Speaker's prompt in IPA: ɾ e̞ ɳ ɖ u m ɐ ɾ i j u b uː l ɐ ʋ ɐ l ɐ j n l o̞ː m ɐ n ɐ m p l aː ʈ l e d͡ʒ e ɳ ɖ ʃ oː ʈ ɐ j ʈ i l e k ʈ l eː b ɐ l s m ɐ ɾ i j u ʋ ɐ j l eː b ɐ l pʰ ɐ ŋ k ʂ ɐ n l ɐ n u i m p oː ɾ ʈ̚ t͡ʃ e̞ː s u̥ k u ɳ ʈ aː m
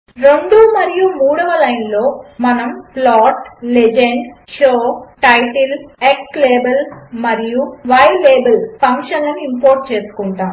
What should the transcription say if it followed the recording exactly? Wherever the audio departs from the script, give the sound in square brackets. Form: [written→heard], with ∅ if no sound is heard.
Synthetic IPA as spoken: ɾ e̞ ɳ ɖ u m ɐ ɾ i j u [b→m] uː [l→ɽ] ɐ ʋ ɐ l ɐ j n l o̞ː m ɐ n ɐ m p l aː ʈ l e d͡ʒ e ɳ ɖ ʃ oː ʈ ɐ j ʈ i l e k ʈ l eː b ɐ l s m ɐ ɾ i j u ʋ ɐ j l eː b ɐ l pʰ ɐ ŋ k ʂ ɐ n l ɐ n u i m p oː ɾ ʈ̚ t͡ʃ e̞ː s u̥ k u ɳ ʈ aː m